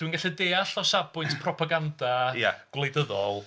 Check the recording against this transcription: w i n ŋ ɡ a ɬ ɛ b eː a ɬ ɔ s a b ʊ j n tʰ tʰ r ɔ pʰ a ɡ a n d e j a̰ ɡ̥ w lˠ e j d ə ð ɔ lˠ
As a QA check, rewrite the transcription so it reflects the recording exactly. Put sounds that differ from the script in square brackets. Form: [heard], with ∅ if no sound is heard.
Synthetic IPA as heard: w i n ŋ ɡ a ɬ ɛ [d] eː a ɬ ɔ s a b ʊ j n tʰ [pʰ] r ɔ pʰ a ɡ a n d [a] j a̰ ɡ̥ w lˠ e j d ə ð ɔ lˠ